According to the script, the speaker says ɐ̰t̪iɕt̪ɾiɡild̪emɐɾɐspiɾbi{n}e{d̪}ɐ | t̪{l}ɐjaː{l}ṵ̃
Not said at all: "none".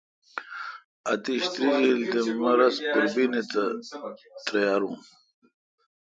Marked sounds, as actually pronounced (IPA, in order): n, t̪, ɾ, ɾ

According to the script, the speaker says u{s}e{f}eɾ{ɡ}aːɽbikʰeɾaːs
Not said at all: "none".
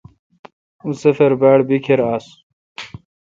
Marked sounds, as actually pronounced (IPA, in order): s, f, b

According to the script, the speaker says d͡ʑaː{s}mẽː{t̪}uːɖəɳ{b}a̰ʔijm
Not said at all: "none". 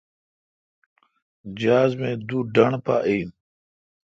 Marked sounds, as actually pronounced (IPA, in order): z, d̪, p

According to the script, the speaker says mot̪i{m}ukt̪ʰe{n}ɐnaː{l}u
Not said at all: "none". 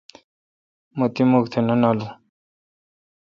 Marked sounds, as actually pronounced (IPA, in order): m, n, l

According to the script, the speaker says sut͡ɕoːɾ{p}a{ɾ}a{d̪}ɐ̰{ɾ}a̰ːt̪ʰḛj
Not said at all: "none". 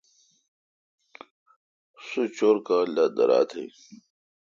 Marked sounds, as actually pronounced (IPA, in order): k, l, d̪, ɾ

